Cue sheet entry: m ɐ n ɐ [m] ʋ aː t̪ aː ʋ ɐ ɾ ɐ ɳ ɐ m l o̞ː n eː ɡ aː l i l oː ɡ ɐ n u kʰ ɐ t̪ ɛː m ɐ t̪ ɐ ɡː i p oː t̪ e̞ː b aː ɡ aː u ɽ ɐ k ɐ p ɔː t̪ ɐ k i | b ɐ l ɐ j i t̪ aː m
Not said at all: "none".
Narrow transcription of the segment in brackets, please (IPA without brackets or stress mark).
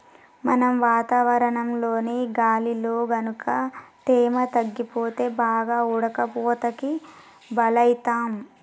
m